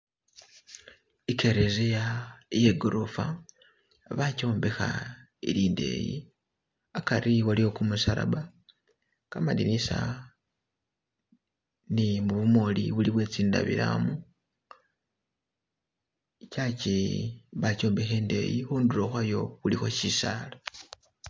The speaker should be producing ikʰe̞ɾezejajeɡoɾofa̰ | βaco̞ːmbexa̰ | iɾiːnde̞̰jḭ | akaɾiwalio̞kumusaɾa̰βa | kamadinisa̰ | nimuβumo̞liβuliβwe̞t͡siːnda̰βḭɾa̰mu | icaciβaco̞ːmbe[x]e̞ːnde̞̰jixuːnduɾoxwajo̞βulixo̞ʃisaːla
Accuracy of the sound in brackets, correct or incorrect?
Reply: correct